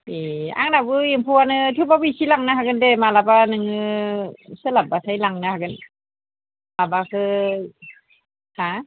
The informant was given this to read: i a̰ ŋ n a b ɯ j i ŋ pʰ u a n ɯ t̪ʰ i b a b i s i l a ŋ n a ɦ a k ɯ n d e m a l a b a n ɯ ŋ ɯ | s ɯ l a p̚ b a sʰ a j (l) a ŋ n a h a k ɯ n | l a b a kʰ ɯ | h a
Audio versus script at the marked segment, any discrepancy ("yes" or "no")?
no